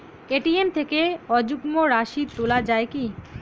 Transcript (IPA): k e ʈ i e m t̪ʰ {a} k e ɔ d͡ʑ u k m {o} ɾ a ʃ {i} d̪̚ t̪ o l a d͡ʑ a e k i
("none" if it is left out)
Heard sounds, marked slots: e, o, i

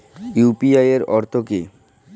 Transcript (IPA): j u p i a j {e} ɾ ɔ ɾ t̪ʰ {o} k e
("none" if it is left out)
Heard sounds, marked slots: e, o

